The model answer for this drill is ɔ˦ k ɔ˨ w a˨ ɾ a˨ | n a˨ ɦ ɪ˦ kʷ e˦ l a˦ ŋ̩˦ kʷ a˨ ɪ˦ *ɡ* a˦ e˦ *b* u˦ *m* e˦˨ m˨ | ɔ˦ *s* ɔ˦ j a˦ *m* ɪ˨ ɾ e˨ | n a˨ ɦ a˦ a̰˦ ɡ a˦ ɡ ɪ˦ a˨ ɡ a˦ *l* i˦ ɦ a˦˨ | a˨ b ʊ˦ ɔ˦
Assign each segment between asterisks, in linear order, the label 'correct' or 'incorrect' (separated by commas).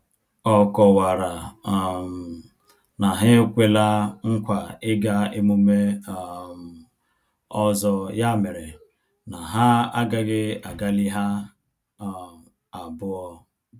correct, incorrect, correct, incorrect, correct, correct